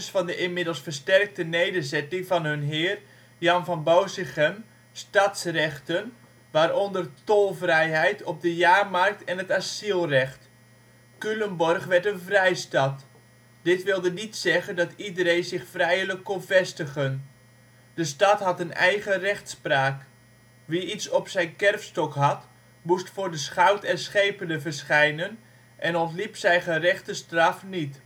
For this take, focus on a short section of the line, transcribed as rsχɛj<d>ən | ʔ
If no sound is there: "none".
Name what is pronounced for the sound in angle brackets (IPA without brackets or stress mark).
n